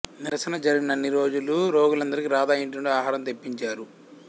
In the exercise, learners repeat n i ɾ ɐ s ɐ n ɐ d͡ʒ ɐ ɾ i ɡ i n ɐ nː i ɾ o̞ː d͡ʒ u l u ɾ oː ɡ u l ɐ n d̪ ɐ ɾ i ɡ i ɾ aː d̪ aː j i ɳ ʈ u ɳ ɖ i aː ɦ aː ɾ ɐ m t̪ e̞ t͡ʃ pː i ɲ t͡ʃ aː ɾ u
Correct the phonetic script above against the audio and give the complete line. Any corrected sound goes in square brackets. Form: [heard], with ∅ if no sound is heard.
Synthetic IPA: n i ɾ ɐ s ɐ n ɐ d͡ʒ ɐ ɾ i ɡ i n ɐ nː i ɾ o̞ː d͡ʒ u l u ɾ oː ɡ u l ɐ n d̪ ɐ ɾ i [k] i ɾ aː d̪ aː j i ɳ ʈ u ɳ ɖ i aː ɦ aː ɾ ɐ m t̪ e̞ [∅] pː i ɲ t͡ʃ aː ɾ u